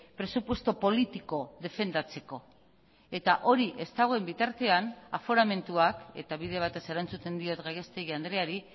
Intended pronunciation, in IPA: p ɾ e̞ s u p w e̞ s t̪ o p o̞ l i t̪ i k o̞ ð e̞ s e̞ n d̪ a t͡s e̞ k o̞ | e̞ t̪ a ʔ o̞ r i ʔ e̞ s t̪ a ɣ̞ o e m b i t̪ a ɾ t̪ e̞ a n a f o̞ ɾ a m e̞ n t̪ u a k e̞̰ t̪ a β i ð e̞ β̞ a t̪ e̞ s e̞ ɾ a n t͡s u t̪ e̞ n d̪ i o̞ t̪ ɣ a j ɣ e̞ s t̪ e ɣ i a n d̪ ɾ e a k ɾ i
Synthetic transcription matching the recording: p ɾ e̞ s u p w e̞ s t̪ o p o̞ l i t̪ i k o̞ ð e̞ f e̞ n d̪ a t͡s e̞ k o̞ | e̞ t̪ a ʔ o̞ ɾ i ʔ e̞ s t̪ a ɣ̞ o e m b i t̪ a ɾ t̪ e̞ a n a f o̞ ɾ a m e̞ n t̪ u a k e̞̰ t̪ a β i ð e̞ β̞ a t̪ e̞ s e̞ ɾ a n t͡s u t̪ e̞ n d̪ i o̞ t̪ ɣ a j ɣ e̞ s t̪ e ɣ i a n d̪ ɾ e a ɾ i